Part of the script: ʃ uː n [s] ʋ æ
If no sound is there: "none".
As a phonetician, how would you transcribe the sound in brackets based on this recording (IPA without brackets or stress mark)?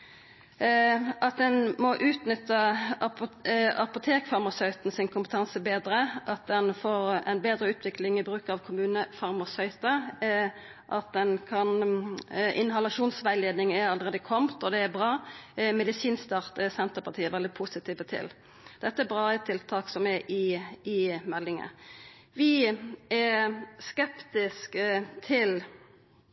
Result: s